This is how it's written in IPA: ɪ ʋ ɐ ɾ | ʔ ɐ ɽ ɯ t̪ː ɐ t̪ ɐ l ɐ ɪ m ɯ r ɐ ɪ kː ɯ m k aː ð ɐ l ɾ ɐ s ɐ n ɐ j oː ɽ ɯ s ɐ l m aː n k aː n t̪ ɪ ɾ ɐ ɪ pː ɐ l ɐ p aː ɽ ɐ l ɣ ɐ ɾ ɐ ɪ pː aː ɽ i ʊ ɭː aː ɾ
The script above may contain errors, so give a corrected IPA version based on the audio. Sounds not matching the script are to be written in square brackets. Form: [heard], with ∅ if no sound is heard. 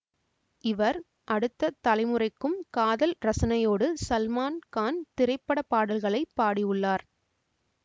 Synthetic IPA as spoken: ɪ ʋ ɐ ɾ | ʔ ɐ ɽ ɯ t̪ː ɐ t̪ ɐ l ɐ ɪ m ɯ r ɐ ɪ kː ɯ m k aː ð ɐ l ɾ ɐ s ɐ n ɐ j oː ɽ ɯ s ɐ l m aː n k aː n t̪ ɪ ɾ ɐ ɪ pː ɐ [ɽ] ɐ p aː ɽ ɐ l ɣ ɐ [ɭ] ɐ ɪ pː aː ɽ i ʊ ɭː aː ɾ